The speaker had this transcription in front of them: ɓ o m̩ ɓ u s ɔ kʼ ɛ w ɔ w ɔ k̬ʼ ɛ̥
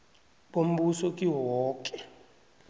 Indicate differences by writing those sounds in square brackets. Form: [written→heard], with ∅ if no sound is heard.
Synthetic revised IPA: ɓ o m̩ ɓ u s ɔ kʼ [ɛ→i] w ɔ w [ɔ→ɔː] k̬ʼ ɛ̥